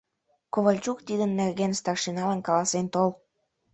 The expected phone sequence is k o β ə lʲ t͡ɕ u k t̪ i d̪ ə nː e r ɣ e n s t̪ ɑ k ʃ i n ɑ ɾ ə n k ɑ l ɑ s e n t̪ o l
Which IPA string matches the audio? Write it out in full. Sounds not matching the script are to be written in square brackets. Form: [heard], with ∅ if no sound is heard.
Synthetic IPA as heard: k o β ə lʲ t͡ɕ u k t̪ i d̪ ə nː e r ɣ e n s t̪ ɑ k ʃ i n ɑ [l] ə n k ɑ l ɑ s e n t̪ o l